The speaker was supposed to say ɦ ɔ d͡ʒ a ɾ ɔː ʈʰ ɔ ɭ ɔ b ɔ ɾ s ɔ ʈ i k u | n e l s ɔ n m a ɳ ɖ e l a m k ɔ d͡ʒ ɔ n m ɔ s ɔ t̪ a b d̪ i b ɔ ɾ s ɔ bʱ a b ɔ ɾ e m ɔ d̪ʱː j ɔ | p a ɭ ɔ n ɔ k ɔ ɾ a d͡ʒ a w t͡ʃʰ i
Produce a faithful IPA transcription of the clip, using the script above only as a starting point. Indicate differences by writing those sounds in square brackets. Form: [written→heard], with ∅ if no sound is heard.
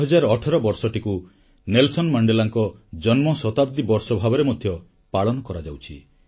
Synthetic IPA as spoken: ɦ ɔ d͡ʒ a ɾ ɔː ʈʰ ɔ [ɭ→ɾ] ɔ b ɔ ɾ s ɔ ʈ i k u | n e l s ɔ n m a ɳ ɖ e l a [m→ŋ] k ɔ d͡ʒ ɔ n m ɔ s ɔ t̪ a b d̪ i b ɔ ɾ s ɔ bʱ a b ɔ ɾ e m ɔ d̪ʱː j ɔ | p a ɭ ɔ n ɔ k ɔ ɾ a d͡ʒ a w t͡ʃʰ i